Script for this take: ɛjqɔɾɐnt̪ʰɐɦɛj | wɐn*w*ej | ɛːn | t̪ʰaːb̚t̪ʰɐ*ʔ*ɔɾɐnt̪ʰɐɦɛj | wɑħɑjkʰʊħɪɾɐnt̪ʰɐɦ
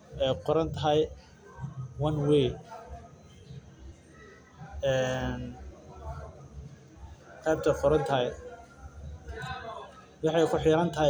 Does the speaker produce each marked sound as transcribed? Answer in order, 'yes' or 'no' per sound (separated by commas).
yes, no